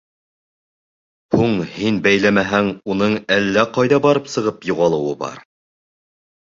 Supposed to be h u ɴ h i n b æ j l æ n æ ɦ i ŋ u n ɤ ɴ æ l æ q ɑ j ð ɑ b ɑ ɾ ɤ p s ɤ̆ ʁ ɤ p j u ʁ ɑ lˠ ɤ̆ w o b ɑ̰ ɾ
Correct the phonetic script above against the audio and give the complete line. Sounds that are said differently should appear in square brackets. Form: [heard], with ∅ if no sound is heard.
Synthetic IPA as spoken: h u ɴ h i n b æ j l æ [m] æ ɦ [æ] ŋ u n ɤ ɴ æ [lː] æ q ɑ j ð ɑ b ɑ ɾ ɤ p s ɤ̆ ʁ ɤ p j u ʁ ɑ lˠ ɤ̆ w [ɤ] b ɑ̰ ɾ